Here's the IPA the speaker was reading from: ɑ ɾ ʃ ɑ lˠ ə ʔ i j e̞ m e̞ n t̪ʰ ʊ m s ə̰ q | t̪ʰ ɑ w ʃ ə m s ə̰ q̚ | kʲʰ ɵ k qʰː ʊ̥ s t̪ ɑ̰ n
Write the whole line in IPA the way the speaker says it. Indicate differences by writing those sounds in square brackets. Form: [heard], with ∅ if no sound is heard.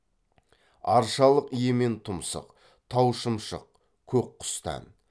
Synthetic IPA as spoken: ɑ ɾ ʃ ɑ lˠ ə [q] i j e̞ m e̞ n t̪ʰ ʊ m s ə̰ q | t̪ʰ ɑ w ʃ ə m [ʃ] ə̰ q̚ | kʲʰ ɵ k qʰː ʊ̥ s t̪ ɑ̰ n